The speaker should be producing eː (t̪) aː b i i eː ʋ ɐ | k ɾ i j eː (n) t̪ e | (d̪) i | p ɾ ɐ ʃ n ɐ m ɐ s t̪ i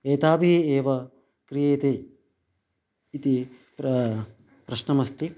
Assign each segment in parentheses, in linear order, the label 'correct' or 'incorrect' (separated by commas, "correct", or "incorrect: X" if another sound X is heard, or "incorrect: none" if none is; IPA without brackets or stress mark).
correct, incorrect: none, incorrect: t̪